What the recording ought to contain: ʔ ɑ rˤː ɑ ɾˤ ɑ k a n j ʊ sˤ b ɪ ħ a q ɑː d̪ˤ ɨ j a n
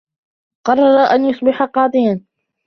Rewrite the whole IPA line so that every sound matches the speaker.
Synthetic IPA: q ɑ rˤː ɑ ɾˤ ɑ ʔ a n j ʊ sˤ b ɪ ħ a q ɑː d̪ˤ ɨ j a n